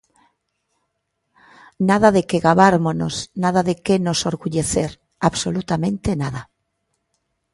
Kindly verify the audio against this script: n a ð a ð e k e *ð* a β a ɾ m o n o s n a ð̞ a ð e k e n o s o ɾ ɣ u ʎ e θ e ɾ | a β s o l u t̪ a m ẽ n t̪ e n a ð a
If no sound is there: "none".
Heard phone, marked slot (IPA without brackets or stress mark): ɣ